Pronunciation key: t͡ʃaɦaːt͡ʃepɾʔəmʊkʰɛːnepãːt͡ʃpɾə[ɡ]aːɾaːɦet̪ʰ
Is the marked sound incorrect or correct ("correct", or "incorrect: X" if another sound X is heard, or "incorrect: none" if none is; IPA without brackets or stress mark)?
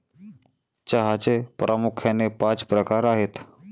incorrect: k